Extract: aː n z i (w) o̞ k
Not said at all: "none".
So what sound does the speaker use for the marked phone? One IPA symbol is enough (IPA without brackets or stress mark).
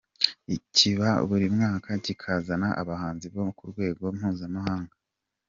β